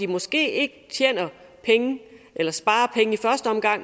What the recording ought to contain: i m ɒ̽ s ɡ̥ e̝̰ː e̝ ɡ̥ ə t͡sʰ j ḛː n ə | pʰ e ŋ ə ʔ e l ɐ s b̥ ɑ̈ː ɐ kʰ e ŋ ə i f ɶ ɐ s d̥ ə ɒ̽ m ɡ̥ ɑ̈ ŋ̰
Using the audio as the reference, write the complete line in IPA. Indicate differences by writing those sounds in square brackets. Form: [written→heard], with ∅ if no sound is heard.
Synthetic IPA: i m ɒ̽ s ɡ̥ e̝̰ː e̝ ɡ̥ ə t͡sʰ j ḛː n [ə→ɐ] | pʰ e ŋ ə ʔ e l ɐ s b̥ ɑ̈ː ɐ [kʰ→pʰ] e ŋ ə i f ɶ ɐ s d̥ ə ɒ̽ m ɡ̥ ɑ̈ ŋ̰